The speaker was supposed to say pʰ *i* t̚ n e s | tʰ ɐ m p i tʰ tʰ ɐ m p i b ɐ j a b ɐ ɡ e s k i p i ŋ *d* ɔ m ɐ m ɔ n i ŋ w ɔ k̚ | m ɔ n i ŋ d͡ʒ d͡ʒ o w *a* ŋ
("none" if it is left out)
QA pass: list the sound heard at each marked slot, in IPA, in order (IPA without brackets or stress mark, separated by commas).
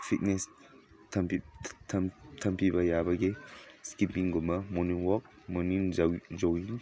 i, ɡ, i